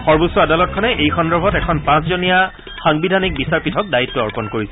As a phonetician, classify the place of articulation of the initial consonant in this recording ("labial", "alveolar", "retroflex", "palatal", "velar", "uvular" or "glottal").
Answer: velar